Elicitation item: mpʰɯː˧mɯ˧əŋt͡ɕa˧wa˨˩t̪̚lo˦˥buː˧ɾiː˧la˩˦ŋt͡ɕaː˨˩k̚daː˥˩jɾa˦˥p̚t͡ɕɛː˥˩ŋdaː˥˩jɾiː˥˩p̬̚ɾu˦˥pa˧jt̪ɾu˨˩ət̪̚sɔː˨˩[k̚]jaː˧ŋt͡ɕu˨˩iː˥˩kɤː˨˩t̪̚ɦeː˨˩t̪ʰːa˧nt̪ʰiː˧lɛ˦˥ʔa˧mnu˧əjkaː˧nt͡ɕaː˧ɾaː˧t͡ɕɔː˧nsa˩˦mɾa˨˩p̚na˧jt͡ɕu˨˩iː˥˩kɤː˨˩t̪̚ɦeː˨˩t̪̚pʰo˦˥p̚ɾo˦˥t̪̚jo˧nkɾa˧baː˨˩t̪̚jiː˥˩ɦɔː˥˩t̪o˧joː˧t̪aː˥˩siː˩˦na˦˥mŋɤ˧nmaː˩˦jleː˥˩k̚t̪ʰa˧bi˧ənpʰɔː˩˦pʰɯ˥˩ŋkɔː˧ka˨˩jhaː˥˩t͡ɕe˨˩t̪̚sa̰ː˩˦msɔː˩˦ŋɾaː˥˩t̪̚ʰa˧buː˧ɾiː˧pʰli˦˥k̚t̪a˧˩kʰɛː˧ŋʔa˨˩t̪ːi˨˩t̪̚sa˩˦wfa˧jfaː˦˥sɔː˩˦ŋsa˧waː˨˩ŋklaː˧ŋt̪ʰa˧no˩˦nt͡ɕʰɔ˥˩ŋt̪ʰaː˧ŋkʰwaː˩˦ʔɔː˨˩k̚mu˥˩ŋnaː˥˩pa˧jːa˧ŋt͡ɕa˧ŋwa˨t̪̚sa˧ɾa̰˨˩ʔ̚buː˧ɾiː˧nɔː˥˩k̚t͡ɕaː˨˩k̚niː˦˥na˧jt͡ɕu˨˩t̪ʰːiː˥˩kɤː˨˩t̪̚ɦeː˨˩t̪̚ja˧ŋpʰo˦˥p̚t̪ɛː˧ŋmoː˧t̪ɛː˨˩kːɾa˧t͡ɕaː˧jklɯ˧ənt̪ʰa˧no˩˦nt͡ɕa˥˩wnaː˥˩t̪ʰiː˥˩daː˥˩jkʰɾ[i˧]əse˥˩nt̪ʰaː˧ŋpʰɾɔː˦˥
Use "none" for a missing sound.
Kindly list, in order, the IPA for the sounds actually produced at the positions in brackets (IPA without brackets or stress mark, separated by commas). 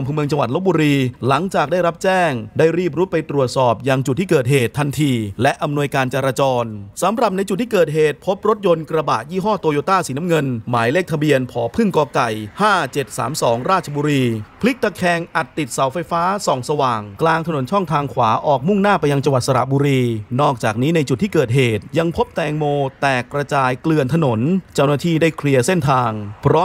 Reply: p̚, i˧